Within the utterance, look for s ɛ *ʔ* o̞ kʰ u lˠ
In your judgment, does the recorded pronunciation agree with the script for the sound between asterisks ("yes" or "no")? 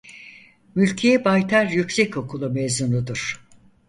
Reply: no